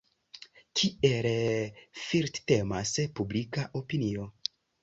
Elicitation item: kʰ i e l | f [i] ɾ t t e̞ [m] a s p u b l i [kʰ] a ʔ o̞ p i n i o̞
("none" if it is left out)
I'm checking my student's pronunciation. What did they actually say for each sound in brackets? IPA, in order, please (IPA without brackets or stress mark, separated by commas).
i, m, k